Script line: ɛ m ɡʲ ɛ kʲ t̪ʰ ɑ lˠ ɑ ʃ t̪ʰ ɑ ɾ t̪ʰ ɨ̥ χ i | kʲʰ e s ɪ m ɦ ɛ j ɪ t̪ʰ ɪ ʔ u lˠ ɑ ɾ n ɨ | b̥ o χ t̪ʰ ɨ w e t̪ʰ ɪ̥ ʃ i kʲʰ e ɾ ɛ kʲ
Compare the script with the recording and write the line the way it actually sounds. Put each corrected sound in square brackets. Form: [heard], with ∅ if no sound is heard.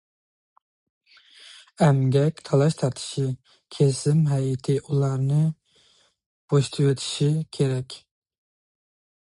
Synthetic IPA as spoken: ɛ m ɡʲ ɛ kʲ t̪ʰ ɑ lˠ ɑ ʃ t̪ʰ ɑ ɾ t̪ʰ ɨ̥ [ʃ] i | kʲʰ e s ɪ m ɦ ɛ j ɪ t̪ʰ ɪ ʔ u lˠ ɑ ɾ n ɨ | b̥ o [ʃ] t̪ʰ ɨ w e t̪ʰ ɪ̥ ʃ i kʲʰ e ɾ ɛ kʲ